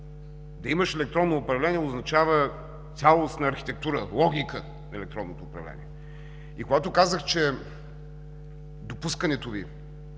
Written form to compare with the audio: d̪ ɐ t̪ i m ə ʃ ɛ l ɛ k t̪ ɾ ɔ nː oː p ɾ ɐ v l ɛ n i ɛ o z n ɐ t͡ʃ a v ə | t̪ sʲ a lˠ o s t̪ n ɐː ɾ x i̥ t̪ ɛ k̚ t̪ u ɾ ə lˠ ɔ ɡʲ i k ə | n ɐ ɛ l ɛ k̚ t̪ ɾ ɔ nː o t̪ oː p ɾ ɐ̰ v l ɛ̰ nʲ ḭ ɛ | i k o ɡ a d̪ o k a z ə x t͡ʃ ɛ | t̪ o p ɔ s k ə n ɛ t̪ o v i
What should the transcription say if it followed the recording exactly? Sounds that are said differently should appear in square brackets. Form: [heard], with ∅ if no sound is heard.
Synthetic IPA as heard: d̪ ɐ [∅] i m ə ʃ ɛ l ɛ k t̪ ɾ ɔ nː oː p ɾ ɐ v l ɛ n i ɛ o z n ɐ t͡ʃ a v ə | t̪ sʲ a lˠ o s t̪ n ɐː ɾ x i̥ t̪ ɛ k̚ t̪ u ɾ ə lˠ ɔ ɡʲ i k ə | n ɐ ɛ l ɛ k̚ t̪ ɾ ɔ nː o t̪ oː p ɾ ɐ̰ v l ɛ̰ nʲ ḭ ɛ | i k o ɡ a [t̪] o k a z ə x t͡ʃ ɛ | [d̪] o p [u] s k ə n ɛ t̪ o v i